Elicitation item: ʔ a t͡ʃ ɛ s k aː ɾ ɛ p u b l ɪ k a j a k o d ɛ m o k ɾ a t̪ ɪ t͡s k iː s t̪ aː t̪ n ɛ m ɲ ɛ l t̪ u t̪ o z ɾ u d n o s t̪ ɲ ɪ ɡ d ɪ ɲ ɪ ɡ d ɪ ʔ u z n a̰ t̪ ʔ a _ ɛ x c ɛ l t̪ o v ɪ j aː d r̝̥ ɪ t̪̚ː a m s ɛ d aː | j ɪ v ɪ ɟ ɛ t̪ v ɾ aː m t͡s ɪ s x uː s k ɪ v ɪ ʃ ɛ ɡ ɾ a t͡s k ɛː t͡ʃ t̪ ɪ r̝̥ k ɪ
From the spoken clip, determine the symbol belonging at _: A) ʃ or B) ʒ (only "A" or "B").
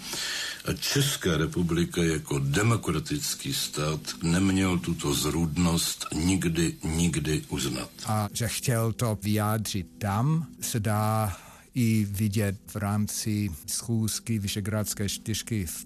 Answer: B